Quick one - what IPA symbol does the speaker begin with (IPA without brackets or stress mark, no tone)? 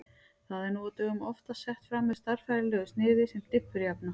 θ